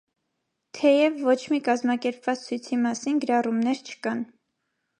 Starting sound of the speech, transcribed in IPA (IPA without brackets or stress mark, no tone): t̪ʰ